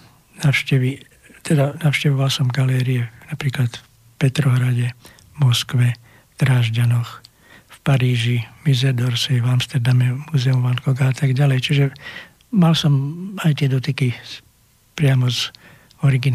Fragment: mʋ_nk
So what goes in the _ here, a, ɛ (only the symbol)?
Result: a